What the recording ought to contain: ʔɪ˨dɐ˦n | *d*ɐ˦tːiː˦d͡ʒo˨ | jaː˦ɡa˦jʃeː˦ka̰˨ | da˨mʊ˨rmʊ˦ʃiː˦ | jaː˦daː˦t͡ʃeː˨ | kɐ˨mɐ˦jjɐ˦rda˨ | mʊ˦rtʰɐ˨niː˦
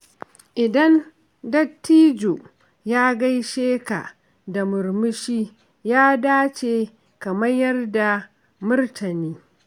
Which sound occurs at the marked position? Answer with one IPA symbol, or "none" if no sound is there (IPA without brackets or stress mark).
d